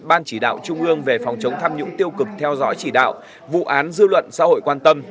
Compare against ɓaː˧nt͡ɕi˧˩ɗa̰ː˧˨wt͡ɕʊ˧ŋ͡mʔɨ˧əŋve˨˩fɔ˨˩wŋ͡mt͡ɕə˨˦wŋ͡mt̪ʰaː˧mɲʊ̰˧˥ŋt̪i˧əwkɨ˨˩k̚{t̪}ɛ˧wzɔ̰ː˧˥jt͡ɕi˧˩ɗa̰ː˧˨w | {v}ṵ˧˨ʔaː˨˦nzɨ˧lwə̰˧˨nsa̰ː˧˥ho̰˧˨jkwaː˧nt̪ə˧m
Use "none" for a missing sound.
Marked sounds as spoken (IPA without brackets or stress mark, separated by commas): t̪ʰ, v